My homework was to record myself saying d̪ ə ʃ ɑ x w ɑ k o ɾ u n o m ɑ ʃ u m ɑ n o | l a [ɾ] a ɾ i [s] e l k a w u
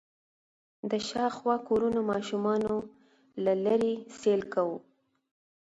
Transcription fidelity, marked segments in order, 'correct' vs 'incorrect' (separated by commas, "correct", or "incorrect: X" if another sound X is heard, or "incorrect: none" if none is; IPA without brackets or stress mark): incorrect: l, correct